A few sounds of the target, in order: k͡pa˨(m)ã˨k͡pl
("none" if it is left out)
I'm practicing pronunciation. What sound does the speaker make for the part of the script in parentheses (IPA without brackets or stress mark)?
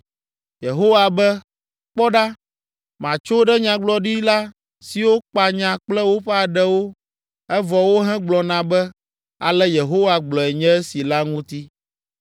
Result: ɲ